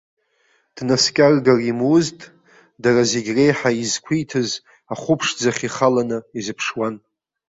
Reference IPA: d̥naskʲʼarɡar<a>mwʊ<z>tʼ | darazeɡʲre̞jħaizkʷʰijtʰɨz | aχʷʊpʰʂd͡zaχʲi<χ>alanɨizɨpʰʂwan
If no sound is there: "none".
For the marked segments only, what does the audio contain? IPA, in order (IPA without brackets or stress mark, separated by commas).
i, z, χ